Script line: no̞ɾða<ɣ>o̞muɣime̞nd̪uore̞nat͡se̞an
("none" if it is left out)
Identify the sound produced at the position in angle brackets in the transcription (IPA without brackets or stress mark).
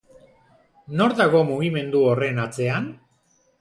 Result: ɣ